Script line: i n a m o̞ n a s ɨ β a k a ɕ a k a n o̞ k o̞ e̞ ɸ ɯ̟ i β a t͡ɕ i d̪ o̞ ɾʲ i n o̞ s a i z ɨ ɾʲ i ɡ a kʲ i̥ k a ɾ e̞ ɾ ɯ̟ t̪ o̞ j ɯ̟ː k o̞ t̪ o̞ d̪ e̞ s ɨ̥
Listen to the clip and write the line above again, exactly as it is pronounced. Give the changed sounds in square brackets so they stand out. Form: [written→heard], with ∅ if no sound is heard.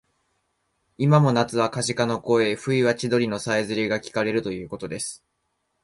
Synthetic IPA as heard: i [n→m] a m o̞ n a [s→t͡s] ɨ β a k a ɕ [a→i] k a n o̞ k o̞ e̞ ɸ ɯ̟ i β a t͡ɕ i d̪ o̞ ɾʲ i n o̞ s a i z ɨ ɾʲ i ɡ a kʲ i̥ k a ɾ e̞ ɾ ɯ̟ t̪ o̞ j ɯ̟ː k o̞ t̪ o̞ d̪ e̞ s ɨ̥